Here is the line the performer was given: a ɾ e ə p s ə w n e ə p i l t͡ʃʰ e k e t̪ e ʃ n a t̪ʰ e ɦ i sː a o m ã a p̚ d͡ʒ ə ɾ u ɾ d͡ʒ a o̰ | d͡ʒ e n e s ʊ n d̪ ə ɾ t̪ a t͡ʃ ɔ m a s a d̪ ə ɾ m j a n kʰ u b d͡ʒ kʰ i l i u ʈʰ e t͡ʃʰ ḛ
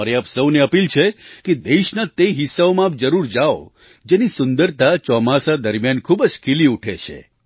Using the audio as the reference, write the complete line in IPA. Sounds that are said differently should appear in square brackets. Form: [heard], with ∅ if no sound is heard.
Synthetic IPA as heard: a ɾ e [a] p s ə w n e ə p i l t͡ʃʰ e k e [d̪] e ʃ n a [t̪] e ɦ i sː a o m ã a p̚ d͡ʒ ə ɾ u ɾ d͡ʒ a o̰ | d͡ʒ e n [i] s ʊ n d̪ ə ɾ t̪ a t͡ʃ ɔ m a s a d̪ ə ɾ m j a n kʰ u b d͡ʒ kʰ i l i u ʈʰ e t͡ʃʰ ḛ

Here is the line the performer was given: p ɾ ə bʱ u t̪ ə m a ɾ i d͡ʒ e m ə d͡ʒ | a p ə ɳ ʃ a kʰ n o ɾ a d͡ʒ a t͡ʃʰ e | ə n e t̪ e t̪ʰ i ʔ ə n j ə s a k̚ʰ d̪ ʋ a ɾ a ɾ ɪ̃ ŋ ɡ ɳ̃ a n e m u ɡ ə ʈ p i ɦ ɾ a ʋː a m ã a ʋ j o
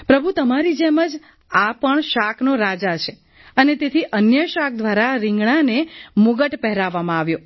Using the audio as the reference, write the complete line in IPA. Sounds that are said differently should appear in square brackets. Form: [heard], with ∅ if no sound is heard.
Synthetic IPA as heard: p ɾ ə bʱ u t̪ ə m a ɾ i d͡ʒ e m ə d͡ʒ | a p ə ɳ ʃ a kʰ n o ɾ a d͡ʒ a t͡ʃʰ e | ə n e t̪ e t̪ʰ i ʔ ə n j ə [ʃ] a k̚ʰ d̪ ʋ a ɾ a ɾ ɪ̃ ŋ ɡ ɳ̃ a n e m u ɡ ə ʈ p [ɛ] ɦ ɾ a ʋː a m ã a ʋ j o

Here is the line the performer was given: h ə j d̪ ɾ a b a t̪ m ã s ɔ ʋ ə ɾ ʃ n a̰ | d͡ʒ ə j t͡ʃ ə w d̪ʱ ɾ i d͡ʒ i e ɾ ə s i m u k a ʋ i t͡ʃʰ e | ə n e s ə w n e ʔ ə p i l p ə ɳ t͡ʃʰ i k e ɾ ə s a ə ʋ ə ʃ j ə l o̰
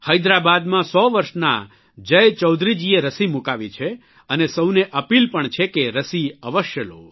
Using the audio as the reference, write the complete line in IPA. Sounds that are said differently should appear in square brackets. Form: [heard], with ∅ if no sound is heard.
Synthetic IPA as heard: h ə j d̪ ɾ a b a [d̪] m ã s ɔ ʋ ə ɾ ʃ n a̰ | d͡ʒ ə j t͡ʃ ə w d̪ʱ ɾ i d͡ʒ i e ɾ ə s i m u k a ʋ i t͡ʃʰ e | ə n e s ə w n e ʔ ə p i l p ə ɳ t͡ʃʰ [e] k e ɾ ə s [i] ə ʋ ə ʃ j ə l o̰

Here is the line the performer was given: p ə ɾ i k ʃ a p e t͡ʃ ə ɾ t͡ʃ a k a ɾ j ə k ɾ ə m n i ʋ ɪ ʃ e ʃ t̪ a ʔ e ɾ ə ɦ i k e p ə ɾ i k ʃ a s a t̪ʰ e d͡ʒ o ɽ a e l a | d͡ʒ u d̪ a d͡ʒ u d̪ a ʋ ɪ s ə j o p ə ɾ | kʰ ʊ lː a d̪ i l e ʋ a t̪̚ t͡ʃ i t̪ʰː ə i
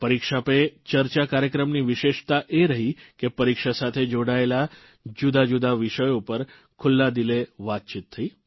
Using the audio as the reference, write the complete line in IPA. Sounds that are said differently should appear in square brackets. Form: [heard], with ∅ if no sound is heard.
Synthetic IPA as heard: p ə ɾ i k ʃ a p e t͡ʃ ə ɾ t͡ʃ a k a ɾ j ə k ɾ ə m n i ʋ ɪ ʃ e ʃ t̪ a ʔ e ɾ ə ɦ i k e p ə ɾ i k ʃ a s a t̪ʰ e d͡ʒ o ɽ a e l a | d͡ʒ u d̪ a d͡ʒ u d̪ a ʋ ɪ [ʃ] ə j o p ə ɾ | kʰ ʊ lː a d̪ i l e ʋ a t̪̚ t͡ʃ i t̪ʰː ə i

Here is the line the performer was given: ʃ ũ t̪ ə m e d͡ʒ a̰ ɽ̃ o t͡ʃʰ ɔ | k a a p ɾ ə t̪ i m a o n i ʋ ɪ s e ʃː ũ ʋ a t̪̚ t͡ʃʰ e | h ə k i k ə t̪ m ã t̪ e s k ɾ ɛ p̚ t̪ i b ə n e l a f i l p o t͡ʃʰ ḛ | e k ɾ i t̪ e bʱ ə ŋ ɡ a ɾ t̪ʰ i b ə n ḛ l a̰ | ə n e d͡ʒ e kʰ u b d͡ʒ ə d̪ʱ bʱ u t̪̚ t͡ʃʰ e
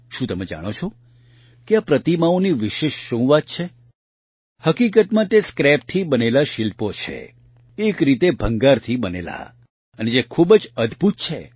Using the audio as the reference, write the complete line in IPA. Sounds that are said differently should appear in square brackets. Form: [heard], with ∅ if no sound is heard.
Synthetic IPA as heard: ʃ ũ t̪ ə m e d͡ʒ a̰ ɽ̃ o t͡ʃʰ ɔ | k [e] a p ɾ ə t̪ i m a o n i ʋ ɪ [ʃ] e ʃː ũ ʋ a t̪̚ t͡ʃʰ e | h ə k i k ə t̪ m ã t̪ e s k ɾ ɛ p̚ [t̪ʰ] i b ə n e l a [ʃ] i l p o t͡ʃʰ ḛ | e k ɾ i t̪ e bʱ ə ŋ ɡ a ɾ t̪ʰ i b ə n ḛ l a̰ | ə n e d͡ʒ e kʰ u b d͡ʒ ə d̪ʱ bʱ u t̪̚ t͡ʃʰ e

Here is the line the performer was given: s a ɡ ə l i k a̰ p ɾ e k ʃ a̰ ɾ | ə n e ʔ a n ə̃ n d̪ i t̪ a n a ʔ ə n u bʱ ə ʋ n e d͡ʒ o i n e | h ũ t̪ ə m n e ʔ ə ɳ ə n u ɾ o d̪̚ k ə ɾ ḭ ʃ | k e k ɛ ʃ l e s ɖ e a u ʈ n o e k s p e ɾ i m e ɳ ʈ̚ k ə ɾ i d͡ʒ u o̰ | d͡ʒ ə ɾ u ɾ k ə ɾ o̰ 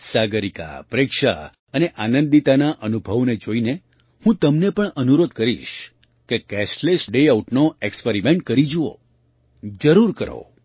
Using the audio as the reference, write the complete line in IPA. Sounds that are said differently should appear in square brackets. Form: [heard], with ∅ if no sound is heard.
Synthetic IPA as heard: s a ɡ ə [ɾ] i k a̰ p ɾ e k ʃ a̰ [∅] | ə n e ʔ a n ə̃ n d̪ i t̪ a n a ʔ ə n u bʱ ə ʋ n e d͡ʒ o i n e | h ũ t̪ ə m n e [p] ə ɳ ə n u ɾ o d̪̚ k ə ɾ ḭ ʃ | k e k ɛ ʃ l e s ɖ e a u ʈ n o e k s p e ɾ i m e ɳ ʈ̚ k ə ɾ i d͡ʒ u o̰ | d͡ʒ ə ɾ u ɾ k ə ɾ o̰

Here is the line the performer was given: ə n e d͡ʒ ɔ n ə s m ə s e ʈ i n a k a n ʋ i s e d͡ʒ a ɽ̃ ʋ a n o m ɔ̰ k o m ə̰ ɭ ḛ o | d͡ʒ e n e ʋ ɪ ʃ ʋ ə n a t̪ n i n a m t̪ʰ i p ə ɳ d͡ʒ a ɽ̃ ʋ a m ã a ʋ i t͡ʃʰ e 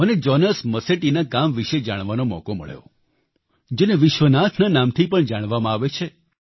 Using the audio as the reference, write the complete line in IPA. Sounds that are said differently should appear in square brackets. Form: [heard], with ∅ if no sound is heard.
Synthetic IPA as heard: ə n e d͡ʒ ɔ n ə s m ə s e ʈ i n a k a [m] ʋ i [ʃ] e d͡ʒ a ɽ̃ ʋ a n o m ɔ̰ k o m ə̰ ɭ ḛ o | d͡ʒ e n e ʋ ɪ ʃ ʋ ə n a [t̪ʰ] n [a] n a m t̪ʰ i p ə ɳ d͡ʒ a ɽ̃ ʋ a m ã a ʋ [e] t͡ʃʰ e

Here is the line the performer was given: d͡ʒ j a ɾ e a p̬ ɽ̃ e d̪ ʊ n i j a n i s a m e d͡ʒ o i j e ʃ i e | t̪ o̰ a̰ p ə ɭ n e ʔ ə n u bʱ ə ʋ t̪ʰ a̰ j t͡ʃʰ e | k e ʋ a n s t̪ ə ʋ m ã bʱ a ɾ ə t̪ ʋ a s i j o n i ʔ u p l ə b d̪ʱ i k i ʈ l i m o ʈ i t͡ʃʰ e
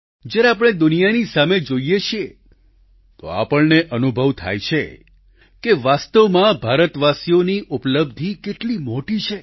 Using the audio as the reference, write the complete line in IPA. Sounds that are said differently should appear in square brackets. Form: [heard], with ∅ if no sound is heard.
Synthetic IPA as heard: d͡ʒ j a ɾ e a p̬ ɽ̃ e d̪ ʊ n i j a n i s a m e d͡ʒ o i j e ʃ i e | t̪ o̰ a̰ p ə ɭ n e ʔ ə n u bʱ ə ʋ t̪ʰ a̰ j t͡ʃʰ e | k e ʋ a [∅] s t̪ ə ʋ m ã bʱ a ɾ ə t̪ ʋ a s i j o n i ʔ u p l ə b d̪ʱ i k [e] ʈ l i m o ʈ i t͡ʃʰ e

